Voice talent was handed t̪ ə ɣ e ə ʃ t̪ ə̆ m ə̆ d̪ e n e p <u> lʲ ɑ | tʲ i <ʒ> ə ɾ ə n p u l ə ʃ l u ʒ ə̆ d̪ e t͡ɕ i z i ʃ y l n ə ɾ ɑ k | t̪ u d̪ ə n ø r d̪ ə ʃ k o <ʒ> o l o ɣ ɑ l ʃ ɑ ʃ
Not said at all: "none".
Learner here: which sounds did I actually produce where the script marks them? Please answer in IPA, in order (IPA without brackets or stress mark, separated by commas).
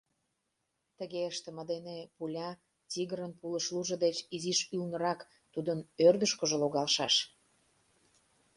u, ɣ, ʒ